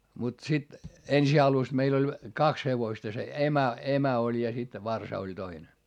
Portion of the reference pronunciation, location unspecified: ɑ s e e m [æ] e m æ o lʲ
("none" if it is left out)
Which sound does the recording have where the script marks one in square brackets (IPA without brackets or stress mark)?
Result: æ